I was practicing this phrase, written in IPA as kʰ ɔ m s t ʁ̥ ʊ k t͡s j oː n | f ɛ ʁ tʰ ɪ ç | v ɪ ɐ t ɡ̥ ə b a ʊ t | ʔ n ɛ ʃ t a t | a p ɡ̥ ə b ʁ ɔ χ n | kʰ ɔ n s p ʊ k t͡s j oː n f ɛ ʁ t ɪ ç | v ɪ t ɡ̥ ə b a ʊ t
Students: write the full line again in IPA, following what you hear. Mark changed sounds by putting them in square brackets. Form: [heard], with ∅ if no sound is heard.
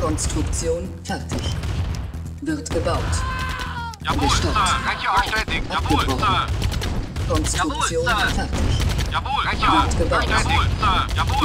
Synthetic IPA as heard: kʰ ɔ [n] s t ʁ̥ ʊ k t͡s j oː n | f ɛ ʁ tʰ ɪ ç | v ɪ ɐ t ɡ̥ ə b a ʊ t | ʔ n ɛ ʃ t a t | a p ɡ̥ ə b ʁ ɔ χ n | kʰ ɔ n s [t] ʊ k t͡s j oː n f ɛ ʁ t ɪ ç | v ɪ t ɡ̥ ə b a ʊ t